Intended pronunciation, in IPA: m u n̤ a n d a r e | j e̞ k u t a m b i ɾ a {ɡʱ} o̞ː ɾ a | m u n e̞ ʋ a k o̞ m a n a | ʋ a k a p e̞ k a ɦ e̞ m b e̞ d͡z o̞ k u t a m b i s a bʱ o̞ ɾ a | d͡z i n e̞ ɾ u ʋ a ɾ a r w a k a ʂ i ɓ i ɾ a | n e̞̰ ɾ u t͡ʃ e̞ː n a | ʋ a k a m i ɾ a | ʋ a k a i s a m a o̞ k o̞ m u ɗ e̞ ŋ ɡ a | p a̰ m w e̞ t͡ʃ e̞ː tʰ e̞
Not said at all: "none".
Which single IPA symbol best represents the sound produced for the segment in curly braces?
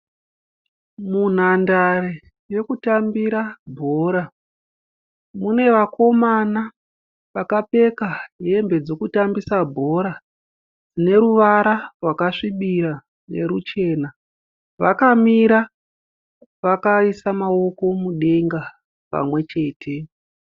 bʱ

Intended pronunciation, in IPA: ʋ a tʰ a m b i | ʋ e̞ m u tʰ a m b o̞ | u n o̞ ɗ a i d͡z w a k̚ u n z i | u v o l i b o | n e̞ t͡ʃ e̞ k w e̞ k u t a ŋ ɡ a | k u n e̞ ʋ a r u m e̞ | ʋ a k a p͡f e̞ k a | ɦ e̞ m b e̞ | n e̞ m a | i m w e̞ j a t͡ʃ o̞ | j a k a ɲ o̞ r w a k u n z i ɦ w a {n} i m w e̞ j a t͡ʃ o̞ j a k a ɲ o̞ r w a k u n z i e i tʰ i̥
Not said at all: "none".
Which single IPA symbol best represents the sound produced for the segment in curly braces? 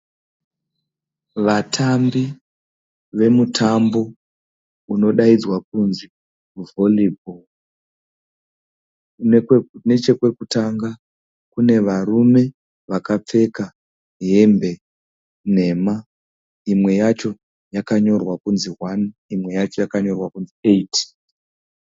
n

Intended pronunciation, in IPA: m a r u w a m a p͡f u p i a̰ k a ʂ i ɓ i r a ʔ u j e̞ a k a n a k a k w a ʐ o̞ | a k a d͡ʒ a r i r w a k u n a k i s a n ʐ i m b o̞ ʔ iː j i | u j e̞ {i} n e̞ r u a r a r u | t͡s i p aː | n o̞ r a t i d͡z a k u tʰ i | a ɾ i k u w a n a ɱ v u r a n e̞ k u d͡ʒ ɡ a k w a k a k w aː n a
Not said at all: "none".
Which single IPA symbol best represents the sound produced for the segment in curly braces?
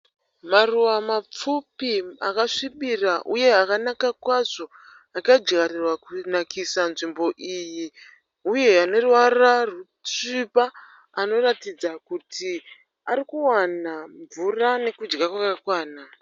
a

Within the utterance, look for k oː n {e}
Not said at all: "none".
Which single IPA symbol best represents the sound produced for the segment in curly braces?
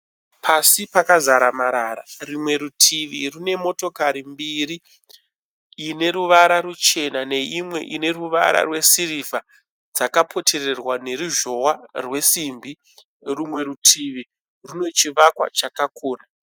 a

